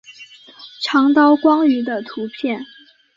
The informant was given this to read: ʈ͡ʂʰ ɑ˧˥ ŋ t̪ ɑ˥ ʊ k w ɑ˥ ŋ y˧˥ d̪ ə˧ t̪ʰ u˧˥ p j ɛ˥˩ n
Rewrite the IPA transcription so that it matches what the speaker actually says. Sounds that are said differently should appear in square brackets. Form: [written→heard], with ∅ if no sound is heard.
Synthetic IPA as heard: ʈ͡ʂʰ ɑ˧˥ ŋ t̪ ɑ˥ ʊ k w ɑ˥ ŋ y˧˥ d̪ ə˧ t̪ʰ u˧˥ [p→pʰ] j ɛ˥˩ n